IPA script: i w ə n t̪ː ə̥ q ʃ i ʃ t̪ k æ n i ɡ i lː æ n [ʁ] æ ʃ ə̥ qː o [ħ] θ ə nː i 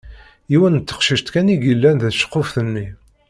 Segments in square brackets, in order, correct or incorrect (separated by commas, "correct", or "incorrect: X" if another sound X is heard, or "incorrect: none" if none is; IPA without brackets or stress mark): incorrect: ð, incorrect: f